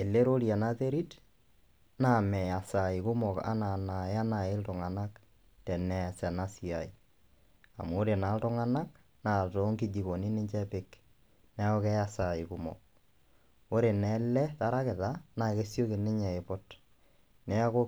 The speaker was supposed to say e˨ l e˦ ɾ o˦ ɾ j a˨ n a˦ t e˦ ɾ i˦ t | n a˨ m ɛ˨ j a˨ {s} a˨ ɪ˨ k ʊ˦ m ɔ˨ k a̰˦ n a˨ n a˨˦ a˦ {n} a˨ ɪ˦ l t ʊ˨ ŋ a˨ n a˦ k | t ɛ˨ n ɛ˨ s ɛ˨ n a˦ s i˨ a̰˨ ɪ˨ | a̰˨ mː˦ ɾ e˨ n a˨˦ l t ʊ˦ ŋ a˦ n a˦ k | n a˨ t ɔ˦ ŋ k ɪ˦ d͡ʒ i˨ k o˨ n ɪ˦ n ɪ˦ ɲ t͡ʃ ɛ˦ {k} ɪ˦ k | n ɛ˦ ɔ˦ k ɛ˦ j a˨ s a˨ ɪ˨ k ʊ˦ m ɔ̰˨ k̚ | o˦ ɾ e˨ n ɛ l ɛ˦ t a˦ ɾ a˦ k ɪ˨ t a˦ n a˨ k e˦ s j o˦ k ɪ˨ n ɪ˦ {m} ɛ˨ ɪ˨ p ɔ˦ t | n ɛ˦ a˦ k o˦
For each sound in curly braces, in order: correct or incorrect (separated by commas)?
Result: correct, correct, incorrect, incorrect